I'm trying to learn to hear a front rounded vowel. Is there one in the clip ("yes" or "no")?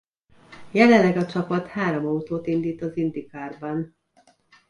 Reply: no